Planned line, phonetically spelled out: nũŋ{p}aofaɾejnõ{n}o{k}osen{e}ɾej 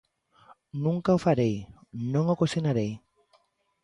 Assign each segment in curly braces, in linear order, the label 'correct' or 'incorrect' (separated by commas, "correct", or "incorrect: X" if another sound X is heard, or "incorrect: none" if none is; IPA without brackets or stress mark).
incorrect: k, incorrect: ŋ, correct, incorrect: a